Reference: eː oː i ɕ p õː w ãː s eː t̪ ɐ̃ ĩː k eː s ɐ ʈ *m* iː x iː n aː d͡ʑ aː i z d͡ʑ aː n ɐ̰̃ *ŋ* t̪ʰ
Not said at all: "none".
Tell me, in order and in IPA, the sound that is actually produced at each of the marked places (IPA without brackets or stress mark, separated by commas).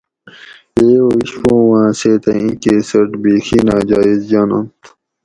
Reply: b, n